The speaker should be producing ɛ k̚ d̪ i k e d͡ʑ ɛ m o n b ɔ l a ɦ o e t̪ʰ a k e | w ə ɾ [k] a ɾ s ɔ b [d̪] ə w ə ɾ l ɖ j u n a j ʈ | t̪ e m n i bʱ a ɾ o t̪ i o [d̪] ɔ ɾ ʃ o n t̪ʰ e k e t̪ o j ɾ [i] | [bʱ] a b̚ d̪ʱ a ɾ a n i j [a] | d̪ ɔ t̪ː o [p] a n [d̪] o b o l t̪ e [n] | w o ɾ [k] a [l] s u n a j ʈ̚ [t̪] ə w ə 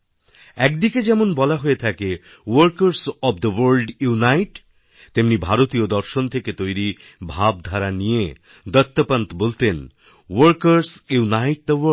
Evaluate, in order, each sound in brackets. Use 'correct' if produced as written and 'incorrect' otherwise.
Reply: correct, correct, correct, correct, correct, incorrect, correct, incorrect, correct, correct, incorrect, incorrect

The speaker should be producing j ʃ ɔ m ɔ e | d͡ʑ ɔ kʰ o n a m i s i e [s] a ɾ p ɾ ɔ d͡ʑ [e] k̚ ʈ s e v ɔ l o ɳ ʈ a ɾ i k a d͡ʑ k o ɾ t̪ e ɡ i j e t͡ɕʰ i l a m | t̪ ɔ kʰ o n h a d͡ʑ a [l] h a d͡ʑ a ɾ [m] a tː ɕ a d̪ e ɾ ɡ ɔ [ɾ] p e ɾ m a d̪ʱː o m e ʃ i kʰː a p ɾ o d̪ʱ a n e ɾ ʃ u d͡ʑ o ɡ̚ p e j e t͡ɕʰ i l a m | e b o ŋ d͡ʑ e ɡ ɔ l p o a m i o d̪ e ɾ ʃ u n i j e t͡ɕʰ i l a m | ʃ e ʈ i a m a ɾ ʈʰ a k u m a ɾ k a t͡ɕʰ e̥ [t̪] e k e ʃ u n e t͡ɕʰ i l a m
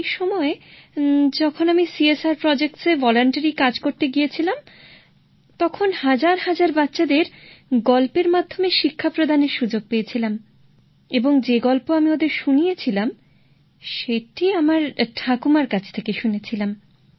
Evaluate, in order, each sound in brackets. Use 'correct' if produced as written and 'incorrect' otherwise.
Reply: correct, correct, incorrect, incorrect, incorrect, incorrect

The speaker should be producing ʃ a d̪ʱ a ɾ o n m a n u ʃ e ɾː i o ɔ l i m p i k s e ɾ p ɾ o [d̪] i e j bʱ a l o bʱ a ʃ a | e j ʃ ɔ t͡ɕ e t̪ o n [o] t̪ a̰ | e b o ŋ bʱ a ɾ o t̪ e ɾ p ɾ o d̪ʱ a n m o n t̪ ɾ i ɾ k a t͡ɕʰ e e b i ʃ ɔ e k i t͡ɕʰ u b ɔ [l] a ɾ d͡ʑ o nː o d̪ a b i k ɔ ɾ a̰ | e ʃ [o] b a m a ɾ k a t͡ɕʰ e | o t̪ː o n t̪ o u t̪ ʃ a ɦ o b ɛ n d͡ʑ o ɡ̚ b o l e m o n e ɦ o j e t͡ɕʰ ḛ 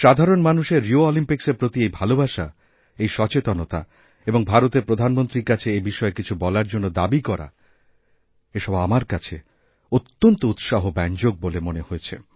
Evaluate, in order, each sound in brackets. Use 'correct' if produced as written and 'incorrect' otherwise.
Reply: incorrect, correct, correct, incorrect

